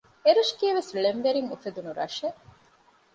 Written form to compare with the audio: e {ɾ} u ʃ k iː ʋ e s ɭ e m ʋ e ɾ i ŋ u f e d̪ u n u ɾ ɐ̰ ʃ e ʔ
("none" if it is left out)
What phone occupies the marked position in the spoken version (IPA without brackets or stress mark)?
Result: ɾ